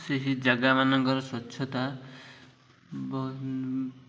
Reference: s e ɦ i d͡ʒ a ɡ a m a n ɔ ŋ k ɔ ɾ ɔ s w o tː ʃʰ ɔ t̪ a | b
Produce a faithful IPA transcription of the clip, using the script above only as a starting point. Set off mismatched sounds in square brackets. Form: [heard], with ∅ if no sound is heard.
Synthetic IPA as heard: s e ɦ i d͡ʒ a ɡ a m a n ɔ ŋ k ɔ ɾ ɔ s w [ɔ] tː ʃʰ ɔ t̪ a | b